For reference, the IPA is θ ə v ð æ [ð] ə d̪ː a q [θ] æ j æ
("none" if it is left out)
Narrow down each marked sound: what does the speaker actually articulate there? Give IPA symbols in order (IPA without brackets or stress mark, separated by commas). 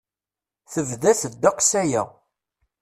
θ, s